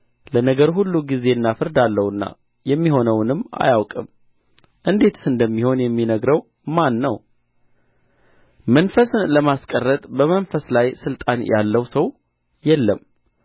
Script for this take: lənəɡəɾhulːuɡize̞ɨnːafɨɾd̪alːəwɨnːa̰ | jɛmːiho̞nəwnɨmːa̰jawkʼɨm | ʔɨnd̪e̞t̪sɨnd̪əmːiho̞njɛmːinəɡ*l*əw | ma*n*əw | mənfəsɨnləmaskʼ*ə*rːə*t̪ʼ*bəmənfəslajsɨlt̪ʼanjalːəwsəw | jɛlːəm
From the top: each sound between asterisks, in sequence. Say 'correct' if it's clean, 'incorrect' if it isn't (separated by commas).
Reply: incorrect, incorrect, correct, correct